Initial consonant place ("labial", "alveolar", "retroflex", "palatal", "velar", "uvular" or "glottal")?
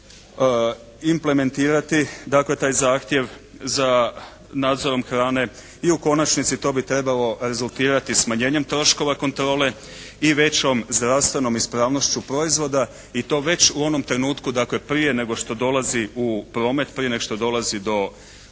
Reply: labial